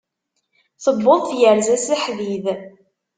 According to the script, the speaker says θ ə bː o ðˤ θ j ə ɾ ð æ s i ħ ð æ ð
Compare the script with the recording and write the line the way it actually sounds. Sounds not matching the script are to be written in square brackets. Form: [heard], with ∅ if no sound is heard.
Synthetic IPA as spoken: θ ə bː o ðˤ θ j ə ɾ [z] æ s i ħ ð [i] ð